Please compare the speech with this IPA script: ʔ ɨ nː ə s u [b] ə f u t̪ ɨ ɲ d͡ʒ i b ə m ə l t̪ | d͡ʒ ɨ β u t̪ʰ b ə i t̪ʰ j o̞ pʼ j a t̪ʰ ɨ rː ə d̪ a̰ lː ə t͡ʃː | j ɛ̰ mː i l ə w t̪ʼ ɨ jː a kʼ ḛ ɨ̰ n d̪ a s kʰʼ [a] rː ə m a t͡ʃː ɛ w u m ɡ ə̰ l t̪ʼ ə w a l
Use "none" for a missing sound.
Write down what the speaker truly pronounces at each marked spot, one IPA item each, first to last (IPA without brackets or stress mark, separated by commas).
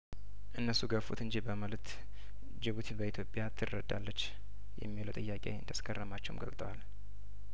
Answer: ɡ, ə